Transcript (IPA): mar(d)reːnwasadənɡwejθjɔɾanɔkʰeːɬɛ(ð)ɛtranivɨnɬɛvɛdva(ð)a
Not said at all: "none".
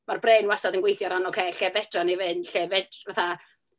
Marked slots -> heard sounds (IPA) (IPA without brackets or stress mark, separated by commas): b, v, θ